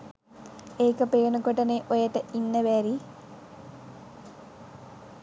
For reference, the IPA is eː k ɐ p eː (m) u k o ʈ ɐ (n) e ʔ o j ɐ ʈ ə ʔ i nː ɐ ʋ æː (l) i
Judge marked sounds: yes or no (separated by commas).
no, yes, no